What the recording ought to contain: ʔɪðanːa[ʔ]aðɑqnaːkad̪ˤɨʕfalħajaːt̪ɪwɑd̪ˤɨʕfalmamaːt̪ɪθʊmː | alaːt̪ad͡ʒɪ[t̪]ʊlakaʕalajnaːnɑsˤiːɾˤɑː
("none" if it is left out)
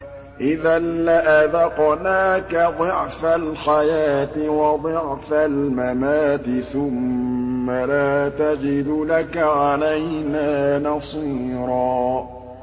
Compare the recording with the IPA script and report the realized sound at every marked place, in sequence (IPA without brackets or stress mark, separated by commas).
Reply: ʔ, d̪